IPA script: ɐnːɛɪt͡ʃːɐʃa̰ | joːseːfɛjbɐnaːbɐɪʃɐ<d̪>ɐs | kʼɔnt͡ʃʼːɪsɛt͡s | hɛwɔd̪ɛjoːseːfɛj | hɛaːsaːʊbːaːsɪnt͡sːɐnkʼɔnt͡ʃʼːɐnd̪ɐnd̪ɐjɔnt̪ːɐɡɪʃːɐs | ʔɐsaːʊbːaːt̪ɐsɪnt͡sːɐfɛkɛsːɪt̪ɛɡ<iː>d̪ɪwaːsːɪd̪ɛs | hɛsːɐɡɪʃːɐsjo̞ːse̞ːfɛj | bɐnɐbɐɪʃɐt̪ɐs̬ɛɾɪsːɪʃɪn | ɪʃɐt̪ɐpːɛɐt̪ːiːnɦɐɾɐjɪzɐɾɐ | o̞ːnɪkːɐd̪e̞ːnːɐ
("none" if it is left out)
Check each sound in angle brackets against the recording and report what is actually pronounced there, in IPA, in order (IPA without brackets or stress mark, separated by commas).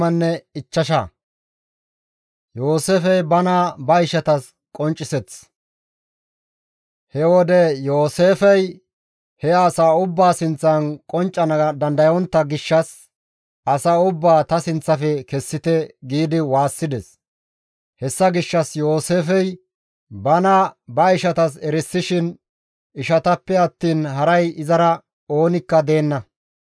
t̪, iː